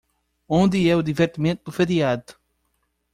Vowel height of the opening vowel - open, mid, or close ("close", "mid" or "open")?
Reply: mid